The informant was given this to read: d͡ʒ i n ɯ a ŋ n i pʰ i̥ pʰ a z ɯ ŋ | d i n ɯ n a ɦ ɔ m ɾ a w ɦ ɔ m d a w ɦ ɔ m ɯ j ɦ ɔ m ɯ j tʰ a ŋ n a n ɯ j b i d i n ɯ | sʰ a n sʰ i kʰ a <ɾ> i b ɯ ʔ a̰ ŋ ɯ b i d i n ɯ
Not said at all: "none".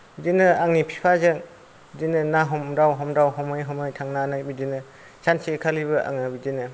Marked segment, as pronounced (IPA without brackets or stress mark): l